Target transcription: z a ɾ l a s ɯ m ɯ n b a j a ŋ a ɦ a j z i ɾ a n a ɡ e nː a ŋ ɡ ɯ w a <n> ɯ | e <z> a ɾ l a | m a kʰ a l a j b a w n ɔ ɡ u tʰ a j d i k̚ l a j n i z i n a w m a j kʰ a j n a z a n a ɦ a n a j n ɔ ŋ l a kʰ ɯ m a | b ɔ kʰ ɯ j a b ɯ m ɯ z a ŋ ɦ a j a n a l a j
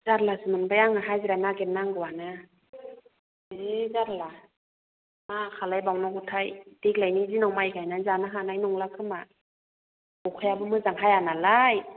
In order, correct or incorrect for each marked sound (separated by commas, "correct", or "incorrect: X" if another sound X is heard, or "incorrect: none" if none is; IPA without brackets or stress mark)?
correct, correct